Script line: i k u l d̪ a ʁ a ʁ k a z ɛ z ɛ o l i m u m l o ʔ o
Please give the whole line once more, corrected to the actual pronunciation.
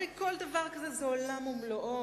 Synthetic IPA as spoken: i k o l d̪ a v a ʁ k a z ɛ z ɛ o l a m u m l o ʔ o